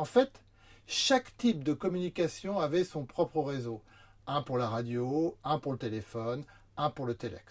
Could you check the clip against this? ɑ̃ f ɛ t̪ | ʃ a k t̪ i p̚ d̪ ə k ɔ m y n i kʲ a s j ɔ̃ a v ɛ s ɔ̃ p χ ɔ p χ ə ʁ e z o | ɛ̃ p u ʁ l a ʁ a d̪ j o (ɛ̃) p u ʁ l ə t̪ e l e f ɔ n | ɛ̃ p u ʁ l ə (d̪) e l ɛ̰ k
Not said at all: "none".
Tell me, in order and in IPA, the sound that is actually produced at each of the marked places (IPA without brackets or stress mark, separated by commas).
ɛ̃, t̪